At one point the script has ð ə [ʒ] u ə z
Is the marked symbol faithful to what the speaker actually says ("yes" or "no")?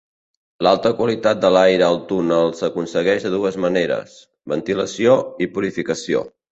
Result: no